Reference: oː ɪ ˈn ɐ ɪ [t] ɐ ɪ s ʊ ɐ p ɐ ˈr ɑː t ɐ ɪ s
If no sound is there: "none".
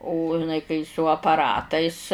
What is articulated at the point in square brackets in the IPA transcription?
k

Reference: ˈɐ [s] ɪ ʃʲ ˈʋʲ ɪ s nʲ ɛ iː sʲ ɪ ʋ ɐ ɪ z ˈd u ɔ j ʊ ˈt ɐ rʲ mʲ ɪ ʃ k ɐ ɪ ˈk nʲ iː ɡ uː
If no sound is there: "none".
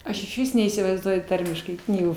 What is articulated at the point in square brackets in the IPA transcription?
ʃ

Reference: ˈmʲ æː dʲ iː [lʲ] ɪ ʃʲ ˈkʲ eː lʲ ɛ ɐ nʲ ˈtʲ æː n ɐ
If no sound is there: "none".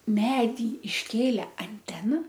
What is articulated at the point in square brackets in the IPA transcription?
none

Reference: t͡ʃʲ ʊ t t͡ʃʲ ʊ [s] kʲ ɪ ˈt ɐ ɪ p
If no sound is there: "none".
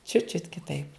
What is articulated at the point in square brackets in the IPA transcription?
t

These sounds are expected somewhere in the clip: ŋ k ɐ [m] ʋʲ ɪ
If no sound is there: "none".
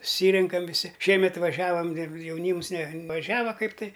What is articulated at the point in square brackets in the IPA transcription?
m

